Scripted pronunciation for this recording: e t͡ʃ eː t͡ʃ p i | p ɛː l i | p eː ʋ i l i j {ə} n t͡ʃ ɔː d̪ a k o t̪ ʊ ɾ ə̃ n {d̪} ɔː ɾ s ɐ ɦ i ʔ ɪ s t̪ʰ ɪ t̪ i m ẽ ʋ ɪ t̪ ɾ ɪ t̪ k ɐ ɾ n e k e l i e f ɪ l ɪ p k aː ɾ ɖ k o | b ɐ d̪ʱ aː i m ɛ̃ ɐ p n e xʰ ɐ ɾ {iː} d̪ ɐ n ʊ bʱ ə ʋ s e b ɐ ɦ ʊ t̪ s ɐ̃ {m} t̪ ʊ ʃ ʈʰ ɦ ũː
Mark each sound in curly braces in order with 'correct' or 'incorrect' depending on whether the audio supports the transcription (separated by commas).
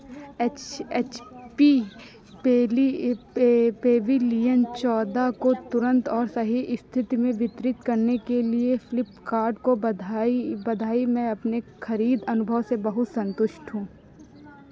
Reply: correct, incorrect, correct, incorrect